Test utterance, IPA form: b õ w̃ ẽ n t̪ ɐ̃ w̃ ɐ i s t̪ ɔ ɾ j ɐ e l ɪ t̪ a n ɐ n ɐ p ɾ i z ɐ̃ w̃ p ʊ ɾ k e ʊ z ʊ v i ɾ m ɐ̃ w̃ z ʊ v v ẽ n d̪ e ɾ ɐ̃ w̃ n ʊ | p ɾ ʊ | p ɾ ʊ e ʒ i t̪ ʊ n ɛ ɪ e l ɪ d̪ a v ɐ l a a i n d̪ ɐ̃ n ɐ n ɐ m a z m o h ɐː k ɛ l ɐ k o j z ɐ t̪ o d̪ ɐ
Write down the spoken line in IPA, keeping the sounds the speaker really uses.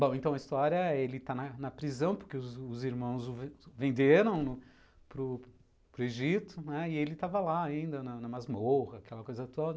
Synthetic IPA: b õ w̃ ẽ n t̪ ɐ̃ w̃ ɐ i s t̪ ɔ ɾ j ɐ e l ɪ t̪ a n ɐ n ɐ p ɾ i z ɐ̃ w̃ p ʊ ɾ k e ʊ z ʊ z i ɾ m ɐ̃ w̃ z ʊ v v ẽ n d̪ e ɾ ɐ̃ w̃ n ʊ | p ɾ ʊ | p ɾ ʊ e ʒ i t̪ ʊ n ɛ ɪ e l ɪ t̪ a v ɐ l a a ĩ n d̪ ɐ n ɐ n ɐ m a z m o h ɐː k ɛ l ɐ k o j z ɐ t̪ o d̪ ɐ